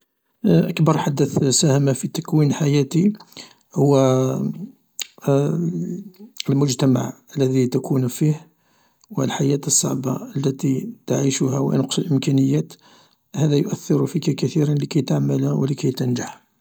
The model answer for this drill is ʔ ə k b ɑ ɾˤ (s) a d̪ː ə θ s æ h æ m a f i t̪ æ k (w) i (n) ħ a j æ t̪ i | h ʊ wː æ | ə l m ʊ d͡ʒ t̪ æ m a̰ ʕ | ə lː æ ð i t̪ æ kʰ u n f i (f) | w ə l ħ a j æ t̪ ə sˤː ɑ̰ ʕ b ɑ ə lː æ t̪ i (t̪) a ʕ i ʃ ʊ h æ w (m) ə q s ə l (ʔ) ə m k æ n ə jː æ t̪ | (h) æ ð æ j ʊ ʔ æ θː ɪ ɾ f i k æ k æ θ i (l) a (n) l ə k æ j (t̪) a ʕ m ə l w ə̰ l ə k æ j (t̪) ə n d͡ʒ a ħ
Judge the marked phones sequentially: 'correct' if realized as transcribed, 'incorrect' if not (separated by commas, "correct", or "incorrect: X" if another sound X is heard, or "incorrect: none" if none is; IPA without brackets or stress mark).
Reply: incorrect: ħ, correct, correct, incorrect: h, correct, incorrect: n, correct, correct, incorrect: ɾ, correct, correct, correct